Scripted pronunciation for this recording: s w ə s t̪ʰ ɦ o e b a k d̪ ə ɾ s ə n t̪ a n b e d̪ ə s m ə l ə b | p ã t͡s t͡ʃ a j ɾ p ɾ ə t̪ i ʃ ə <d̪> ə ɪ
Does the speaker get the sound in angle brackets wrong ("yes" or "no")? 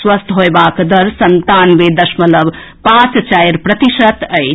yes